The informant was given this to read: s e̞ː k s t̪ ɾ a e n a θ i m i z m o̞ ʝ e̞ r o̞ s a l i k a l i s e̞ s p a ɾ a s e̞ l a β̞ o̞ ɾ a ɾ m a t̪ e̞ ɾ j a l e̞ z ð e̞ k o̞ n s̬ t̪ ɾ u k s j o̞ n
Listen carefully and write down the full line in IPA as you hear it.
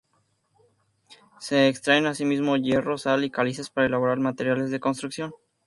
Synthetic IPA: s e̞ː k s t̪ ɾ a e n a s i m i z m o̞ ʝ e̞ r o̞ s a l i k a l i s e̞ s p a ɾ a e̞ l a β̞ o̞ ɾ a ɾ m a t̪ e̞ ɾ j a l e̞ z ð e̞ k o̞ n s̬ t̪ ɾ u k s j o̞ n

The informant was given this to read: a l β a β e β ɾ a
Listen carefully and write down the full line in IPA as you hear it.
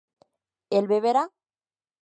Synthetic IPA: e l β e β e ɾ a

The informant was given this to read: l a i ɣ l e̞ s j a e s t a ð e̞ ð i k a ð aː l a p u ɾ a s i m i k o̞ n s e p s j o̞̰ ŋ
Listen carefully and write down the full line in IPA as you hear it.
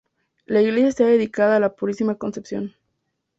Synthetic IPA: l a i ɣ l e̞ s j a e s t a ð e̞ ð i k a ð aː l a p u ɾ i s i m a k o̞ n s e p s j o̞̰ n

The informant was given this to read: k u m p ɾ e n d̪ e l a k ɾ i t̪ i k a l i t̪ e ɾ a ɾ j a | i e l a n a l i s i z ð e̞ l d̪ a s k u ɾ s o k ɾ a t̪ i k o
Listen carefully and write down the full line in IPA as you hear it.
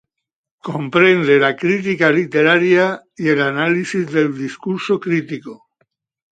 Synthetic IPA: k o m p ɾ e n d̪ e l a k ɾ i t̪ i k a l i t̪ e ɾ a ɾ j a | i e l a n a l i s i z ð e̞ l d̪ i s k u ɾ s o k ɾ i t̪ i k o

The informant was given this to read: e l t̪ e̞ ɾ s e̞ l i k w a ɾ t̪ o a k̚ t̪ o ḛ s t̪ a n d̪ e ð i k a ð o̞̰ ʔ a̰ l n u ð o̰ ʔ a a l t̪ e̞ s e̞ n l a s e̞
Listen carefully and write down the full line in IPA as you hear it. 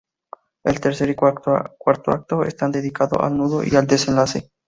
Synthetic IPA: e l t̪ e̞ ɾ s e̞ ɾ i k w a ɾ t̪ o a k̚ t̪ o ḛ s t̪ a n d̪ e ð i k a ð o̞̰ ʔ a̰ l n u ð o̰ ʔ i a l d̪ e̞ s e̞ n l a s e̞

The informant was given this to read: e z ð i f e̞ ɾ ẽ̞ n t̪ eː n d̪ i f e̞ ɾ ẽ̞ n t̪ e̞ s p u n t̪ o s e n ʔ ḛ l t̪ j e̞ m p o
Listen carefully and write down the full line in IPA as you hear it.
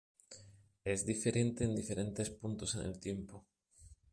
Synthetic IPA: e z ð i f e̞ ɾ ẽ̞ n t̪ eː n d̪ i f e̞ ɾ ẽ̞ n t̪ e̞ s p u n t̪ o s e n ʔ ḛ l t̪ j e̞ m p o

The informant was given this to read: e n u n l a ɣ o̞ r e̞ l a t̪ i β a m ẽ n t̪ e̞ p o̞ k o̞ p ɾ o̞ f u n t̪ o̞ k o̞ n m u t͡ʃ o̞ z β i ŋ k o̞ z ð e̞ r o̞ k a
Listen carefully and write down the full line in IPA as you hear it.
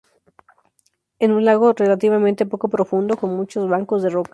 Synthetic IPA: e n u n l a ɣ o̞ r e̞ l a t̪ i β a m ẽ n t̪ e̞ p o̞ k o̞ p ɾ o̞ f u n d̪ o̞ k o̞ n m u t͡ʃ o̞ z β a ŋ k o̞ z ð e̞ r o̞ k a

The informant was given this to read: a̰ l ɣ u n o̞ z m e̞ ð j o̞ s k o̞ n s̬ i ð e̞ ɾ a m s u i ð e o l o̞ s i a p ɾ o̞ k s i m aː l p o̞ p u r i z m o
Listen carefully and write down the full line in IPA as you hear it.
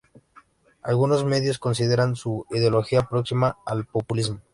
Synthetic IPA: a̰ l ɣ u n o̞ z m e̞ ð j o̞ s k o̞ n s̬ i ð e̞ ɾ a n s u i ð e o l o̞ x i a p ɾ o̞ k s i m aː l p o̞ p u l i z m o

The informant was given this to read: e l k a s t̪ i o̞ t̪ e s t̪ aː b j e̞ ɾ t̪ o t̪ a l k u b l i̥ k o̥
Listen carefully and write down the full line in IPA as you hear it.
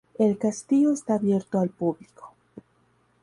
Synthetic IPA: e l k a s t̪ i o̞ e s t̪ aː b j e̞ ɾ t̪ o a l p u b l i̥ k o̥

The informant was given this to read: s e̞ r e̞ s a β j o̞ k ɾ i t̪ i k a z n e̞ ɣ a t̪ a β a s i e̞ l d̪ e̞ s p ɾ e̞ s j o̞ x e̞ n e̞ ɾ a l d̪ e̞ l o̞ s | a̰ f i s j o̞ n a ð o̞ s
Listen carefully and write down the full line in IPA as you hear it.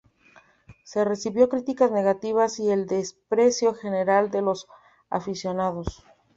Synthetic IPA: s e̞ r e̞ s i β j o̞ k ɾ i t̪ i k a z n e̞ ɣ a t̪ i β a s i e̞ l d̪ e̞ s p ɾ e̞ s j o̞ x e̞ n e̞ ɾ a l d̪ e̞ l o̞ s | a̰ f i s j o̞ n a ð o̞ s

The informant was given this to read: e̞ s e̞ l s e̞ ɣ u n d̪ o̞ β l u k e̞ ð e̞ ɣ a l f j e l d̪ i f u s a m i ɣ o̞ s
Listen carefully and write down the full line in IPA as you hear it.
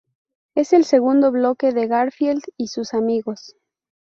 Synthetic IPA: e̞ s e̞ l s e̞ ɣ u n d̪ o̞ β l o k e̞ ð e̞ ɣ a ɾ f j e l d̪ i s u s a m i ɣ o̞ s

